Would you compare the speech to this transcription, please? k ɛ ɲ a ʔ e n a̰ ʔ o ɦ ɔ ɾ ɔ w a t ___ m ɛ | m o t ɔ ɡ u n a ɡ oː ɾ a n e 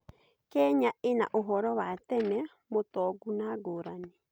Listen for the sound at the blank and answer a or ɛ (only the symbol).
ɛ